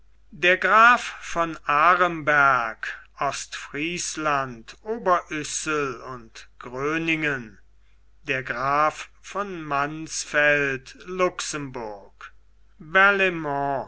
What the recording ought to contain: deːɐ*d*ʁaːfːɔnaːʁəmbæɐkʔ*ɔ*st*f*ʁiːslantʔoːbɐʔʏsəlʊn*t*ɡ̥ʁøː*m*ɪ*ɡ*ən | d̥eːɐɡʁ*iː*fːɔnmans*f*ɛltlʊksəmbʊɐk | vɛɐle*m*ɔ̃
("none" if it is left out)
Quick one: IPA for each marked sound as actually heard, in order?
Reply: ɡ, ɔ, f, t, n, ŋ, aː, f, m

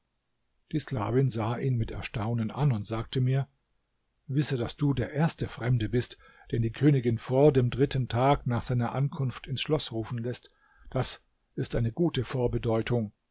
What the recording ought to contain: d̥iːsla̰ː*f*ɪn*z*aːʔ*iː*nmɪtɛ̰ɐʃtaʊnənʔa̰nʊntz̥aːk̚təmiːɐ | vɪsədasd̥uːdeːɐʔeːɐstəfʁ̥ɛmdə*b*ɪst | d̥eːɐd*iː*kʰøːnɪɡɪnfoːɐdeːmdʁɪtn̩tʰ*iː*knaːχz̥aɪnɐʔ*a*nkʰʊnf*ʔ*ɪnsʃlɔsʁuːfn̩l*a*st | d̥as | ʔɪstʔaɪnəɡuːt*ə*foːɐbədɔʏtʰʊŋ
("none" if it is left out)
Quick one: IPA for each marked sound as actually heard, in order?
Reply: v, z, iː, b, iː, aː, a, t, ɛ, ə

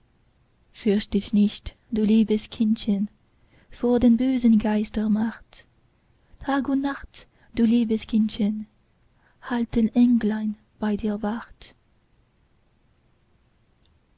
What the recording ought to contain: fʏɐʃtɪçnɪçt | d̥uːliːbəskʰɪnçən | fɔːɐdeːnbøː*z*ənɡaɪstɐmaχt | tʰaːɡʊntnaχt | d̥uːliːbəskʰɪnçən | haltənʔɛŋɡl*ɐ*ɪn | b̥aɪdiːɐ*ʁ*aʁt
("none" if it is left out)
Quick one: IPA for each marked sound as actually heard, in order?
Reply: z, a, v

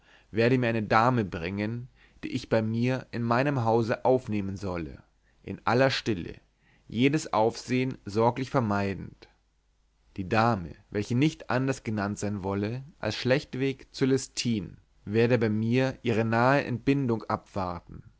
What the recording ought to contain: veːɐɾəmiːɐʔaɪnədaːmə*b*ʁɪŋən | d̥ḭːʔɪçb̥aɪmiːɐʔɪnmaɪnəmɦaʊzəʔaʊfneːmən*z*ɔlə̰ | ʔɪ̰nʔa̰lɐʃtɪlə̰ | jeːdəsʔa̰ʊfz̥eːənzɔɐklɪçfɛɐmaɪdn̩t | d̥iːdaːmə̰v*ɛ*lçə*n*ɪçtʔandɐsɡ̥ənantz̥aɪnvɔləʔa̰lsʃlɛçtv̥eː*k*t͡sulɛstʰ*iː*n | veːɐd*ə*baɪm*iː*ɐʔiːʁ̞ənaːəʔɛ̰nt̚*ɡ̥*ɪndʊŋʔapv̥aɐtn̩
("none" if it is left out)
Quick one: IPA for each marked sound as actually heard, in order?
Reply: b, z, ɛ, n, k, iː, ə, iː, b̥

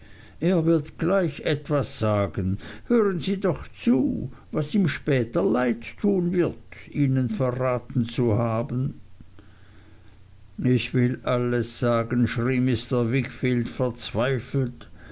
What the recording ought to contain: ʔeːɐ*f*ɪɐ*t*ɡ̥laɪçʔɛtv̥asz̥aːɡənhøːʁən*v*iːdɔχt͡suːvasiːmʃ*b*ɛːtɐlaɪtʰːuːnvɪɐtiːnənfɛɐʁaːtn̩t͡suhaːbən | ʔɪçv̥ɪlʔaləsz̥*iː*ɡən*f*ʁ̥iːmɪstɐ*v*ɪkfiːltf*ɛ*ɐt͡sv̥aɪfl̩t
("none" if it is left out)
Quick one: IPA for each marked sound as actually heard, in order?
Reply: v, t, z, p, aː, ʃ, v, ɛ

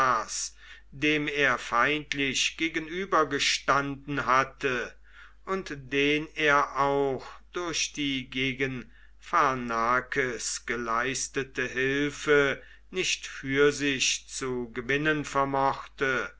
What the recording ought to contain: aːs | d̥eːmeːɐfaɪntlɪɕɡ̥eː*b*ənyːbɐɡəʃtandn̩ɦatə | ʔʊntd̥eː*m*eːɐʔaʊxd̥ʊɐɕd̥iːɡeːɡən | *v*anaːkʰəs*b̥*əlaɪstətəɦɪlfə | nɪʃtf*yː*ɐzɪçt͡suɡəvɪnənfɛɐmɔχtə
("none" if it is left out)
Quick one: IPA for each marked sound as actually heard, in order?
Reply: ɡ, n, f, ɡ̥, yː

